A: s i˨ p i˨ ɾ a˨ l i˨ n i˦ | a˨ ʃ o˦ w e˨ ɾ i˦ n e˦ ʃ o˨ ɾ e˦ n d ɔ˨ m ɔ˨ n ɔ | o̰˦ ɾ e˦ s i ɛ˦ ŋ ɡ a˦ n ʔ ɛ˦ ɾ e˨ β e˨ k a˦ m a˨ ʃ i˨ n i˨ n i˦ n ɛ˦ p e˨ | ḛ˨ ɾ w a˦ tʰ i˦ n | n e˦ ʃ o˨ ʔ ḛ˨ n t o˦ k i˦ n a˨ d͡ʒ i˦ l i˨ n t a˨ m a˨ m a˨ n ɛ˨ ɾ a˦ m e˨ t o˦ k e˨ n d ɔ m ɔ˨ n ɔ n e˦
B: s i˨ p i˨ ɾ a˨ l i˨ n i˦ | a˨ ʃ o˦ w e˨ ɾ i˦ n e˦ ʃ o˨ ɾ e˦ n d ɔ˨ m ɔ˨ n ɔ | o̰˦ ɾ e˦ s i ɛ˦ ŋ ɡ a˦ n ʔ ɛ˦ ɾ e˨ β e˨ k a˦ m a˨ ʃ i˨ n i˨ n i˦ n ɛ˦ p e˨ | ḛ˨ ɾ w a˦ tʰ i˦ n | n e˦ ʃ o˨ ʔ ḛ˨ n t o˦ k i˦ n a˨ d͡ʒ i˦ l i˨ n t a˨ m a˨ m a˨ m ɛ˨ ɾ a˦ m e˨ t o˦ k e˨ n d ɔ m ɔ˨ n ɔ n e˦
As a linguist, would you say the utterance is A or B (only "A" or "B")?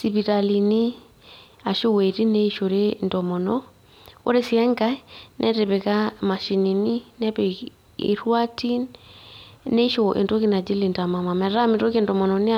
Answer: B